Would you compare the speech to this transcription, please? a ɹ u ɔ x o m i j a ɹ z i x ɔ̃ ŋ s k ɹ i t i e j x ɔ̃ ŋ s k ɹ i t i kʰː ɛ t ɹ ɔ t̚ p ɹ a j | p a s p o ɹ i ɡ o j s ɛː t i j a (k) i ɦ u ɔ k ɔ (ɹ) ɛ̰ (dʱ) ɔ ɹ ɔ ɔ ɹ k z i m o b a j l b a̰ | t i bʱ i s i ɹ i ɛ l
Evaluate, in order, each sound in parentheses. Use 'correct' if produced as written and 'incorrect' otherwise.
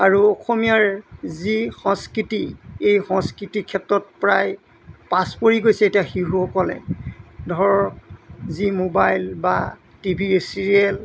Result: incorrect: x, incorrect: l, correct

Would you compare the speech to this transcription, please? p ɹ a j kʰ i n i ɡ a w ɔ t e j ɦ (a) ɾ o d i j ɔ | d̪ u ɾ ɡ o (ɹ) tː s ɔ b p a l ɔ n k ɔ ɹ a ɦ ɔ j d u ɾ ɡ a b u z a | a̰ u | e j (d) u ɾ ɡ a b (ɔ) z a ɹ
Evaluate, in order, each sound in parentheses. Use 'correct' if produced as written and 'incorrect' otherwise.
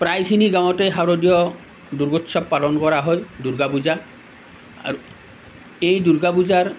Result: correct, incorrect: none, correct, incorrect: u

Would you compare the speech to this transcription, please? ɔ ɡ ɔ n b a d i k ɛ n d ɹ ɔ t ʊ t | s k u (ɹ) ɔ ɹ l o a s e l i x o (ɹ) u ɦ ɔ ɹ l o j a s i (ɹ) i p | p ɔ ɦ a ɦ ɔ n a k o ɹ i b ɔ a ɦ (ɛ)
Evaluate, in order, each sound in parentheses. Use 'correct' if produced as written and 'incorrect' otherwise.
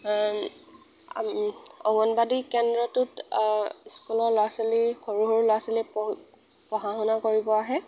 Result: incorrect: l, correct, incorrect: l, correct

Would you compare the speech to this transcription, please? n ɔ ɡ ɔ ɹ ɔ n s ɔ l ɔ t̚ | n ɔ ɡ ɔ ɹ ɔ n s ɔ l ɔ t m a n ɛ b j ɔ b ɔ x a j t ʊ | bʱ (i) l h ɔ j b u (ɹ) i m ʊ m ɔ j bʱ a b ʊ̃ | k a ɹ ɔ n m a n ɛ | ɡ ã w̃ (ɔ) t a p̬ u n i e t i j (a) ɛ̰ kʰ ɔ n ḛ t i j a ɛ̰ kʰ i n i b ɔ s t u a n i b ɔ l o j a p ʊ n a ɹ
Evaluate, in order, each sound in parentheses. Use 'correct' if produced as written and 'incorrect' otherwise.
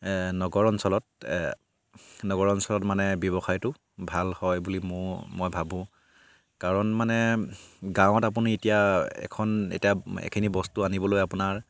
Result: incorrect: a, incorrect: l, correct, correct

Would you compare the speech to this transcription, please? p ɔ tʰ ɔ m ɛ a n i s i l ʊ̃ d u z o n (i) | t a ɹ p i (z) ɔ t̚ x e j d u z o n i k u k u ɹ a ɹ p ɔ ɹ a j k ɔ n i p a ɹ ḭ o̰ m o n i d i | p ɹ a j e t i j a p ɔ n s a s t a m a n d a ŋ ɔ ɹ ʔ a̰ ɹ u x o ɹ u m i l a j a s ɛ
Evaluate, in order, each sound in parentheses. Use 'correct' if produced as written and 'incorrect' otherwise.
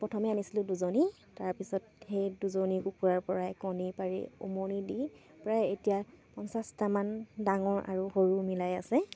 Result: correct, incorrect: s

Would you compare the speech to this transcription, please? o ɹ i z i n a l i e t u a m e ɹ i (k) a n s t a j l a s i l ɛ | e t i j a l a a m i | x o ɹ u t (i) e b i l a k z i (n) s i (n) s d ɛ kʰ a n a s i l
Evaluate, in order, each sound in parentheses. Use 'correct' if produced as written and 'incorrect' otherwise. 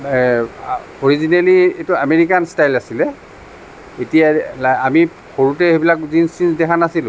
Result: correct, incorrect: ɛ, correct, correct

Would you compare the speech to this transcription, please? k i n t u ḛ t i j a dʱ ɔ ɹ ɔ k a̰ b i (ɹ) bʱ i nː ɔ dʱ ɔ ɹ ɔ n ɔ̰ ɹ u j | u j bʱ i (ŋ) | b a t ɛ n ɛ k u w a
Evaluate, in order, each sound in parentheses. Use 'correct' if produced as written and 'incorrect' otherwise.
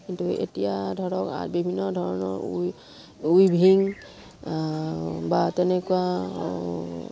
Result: incorrect: none, correct

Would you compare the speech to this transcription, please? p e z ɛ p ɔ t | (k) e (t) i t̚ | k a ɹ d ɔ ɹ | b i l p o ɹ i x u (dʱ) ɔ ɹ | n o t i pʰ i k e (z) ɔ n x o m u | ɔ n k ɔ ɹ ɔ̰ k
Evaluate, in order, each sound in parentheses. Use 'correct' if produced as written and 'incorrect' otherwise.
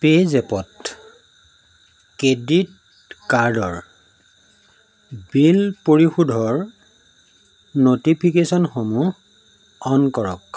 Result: correct, incorrect: d, correct, incorrect: s

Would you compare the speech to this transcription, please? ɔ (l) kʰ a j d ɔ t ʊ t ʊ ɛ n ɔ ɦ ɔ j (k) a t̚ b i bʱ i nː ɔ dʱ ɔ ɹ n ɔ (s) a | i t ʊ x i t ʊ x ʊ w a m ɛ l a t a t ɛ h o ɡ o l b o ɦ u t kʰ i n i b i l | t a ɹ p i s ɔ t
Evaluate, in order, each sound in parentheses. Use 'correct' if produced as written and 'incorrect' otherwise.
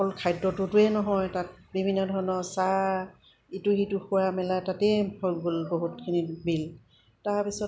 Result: correct, incorrect: t, correct

